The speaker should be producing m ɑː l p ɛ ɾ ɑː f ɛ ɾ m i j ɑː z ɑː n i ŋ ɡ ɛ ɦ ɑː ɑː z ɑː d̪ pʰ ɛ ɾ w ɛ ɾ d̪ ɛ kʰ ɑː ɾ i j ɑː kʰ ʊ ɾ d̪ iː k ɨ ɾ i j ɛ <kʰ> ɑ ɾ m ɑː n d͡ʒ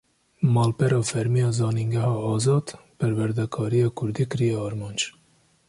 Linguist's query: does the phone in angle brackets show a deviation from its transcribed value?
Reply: yes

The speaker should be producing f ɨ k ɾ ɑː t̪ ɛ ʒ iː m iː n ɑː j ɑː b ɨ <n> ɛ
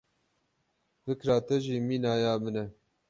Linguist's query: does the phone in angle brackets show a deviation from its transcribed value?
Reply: no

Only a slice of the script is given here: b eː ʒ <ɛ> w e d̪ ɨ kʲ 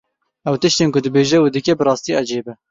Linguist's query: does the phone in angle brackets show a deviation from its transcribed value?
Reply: no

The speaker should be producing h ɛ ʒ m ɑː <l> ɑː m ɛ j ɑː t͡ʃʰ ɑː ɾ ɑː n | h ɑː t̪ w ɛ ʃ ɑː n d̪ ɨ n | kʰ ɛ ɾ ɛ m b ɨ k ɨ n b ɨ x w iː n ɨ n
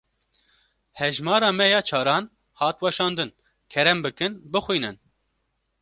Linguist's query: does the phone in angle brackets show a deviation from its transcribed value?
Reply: yes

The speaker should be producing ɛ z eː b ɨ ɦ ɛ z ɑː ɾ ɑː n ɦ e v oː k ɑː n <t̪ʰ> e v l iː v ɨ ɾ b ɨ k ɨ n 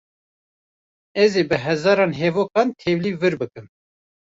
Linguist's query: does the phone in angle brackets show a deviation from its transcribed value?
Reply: no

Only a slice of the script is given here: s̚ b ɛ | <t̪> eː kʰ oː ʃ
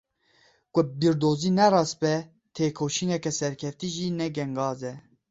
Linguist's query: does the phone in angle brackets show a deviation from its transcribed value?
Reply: yes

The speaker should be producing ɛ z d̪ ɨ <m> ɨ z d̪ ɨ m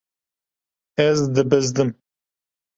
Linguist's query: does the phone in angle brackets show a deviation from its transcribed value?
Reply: yes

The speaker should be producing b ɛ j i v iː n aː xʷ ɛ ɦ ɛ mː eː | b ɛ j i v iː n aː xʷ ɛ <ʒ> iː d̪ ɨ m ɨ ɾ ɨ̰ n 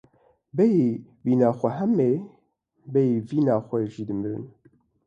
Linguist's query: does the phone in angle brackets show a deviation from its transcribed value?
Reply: no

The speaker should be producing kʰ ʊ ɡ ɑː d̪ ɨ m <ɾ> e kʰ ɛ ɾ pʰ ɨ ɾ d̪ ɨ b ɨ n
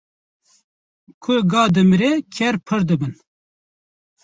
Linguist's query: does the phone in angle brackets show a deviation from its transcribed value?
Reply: no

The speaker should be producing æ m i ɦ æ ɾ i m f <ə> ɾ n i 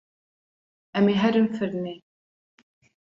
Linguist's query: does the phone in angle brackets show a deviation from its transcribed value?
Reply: no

